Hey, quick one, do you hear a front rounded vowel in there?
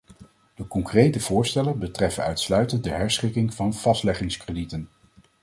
yes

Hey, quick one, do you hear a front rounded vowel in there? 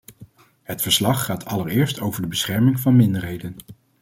no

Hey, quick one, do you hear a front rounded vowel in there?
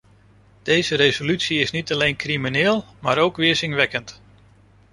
yes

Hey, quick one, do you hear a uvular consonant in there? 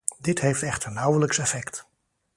yes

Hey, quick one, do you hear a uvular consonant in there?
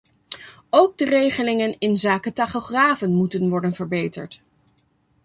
yes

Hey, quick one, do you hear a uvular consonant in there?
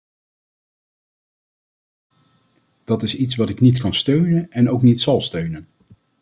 no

